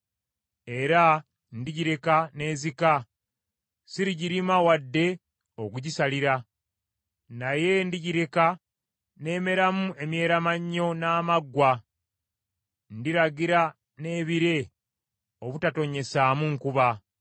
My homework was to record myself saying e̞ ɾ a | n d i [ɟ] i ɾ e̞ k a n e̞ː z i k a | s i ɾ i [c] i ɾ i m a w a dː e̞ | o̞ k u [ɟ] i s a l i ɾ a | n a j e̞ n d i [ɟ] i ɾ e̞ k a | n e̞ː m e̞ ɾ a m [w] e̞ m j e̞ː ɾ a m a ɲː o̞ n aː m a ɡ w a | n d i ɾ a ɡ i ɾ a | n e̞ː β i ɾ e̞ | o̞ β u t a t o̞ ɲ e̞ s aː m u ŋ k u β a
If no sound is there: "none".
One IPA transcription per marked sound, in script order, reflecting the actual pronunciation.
ɟ, ɟ, ɟ, ɟ, u

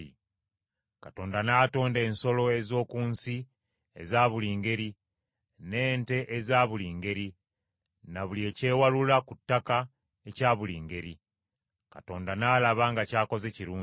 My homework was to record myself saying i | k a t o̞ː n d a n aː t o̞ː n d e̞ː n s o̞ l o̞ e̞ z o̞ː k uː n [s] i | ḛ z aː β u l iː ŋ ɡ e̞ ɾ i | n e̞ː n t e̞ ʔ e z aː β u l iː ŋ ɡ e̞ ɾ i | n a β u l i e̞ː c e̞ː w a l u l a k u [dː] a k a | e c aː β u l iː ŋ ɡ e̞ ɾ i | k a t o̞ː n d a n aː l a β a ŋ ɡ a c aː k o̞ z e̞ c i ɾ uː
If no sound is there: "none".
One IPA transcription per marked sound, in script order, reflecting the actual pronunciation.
s, tː

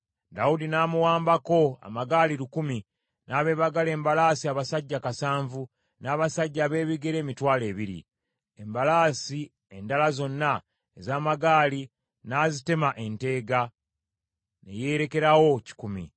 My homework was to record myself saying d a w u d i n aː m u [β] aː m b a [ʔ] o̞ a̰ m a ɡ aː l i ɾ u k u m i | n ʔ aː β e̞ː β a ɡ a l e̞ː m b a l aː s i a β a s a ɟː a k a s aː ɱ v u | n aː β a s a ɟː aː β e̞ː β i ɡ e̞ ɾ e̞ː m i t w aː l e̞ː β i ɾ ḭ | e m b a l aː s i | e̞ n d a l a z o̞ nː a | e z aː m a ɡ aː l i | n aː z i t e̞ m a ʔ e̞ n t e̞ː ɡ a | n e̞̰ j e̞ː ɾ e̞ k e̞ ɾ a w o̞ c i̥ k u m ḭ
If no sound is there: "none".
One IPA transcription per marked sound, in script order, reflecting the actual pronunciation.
w, k

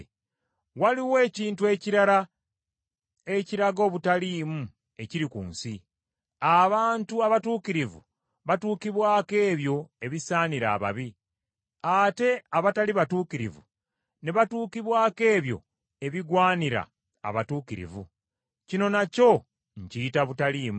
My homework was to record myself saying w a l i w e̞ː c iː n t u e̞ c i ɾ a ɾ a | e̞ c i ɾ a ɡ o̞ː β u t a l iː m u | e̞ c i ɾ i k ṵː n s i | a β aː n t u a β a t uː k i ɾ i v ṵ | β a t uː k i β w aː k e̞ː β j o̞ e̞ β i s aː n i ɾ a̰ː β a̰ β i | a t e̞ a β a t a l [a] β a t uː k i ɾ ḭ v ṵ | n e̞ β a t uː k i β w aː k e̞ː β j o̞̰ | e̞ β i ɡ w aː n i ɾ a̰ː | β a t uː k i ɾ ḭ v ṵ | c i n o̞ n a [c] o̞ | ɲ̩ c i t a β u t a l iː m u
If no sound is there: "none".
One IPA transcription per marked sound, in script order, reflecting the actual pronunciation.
i, c

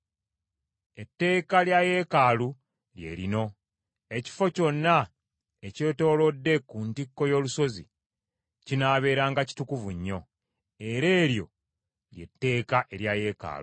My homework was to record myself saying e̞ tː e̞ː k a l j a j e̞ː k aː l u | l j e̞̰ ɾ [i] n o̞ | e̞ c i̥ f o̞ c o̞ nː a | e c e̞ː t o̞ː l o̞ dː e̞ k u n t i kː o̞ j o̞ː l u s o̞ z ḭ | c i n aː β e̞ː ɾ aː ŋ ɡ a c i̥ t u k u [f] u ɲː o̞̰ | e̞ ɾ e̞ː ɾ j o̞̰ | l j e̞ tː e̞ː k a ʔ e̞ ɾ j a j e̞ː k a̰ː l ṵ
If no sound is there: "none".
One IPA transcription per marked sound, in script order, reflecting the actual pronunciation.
i, v

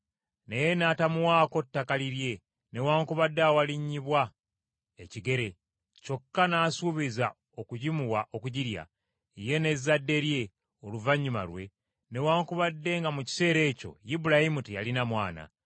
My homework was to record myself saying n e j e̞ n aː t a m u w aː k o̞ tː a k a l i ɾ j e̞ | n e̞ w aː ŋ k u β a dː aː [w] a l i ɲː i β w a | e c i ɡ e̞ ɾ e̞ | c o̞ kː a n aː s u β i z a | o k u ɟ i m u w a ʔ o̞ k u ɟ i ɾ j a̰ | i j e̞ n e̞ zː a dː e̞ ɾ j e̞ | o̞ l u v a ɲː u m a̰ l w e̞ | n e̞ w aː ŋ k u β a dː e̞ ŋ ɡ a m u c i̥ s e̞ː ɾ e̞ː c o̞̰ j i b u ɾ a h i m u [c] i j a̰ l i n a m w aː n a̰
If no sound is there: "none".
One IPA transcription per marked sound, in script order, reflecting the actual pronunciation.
w, t

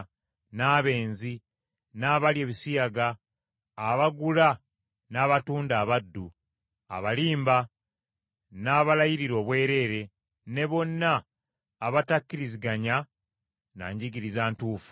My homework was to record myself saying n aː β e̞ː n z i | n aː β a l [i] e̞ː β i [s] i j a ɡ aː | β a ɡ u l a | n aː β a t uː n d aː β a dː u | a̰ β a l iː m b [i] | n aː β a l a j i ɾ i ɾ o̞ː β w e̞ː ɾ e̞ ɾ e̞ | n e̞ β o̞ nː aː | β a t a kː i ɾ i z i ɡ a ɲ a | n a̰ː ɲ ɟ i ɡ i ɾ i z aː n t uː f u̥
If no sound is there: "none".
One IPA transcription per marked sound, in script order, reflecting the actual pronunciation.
j, s, a

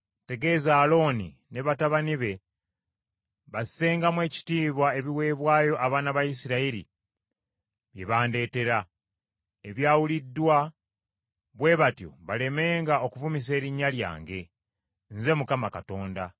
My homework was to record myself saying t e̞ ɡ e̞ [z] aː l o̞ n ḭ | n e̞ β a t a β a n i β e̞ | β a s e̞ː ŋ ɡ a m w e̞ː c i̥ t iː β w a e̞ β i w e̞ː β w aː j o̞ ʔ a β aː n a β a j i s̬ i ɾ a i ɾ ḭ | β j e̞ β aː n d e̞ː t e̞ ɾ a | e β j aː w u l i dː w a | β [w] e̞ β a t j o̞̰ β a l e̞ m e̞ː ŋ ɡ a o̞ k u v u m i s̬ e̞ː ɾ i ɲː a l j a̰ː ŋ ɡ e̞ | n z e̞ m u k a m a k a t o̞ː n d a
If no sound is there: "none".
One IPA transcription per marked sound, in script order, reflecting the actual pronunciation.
z, w

